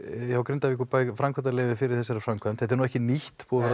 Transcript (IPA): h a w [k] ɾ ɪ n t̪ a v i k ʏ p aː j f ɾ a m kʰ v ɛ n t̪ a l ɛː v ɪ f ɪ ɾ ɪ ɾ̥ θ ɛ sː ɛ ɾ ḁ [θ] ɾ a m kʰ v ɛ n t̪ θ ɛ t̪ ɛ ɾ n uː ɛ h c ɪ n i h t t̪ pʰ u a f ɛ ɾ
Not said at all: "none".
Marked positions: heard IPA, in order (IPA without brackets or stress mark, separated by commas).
k, f